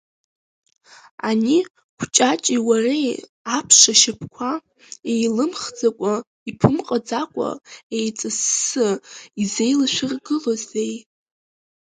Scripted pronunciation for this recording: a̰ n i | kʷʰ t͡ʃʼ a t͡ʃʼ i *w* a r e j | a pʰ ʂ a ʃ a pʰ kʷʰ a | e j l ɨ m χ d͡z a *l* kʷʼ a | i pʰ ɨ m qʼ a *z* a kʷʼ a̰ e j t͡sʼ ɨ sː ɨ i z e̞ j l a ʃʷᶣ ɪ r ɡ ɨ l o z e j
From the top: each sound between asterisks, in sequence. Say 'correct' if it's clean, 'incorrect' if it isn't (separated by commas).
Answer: correct, incorrect, incorrect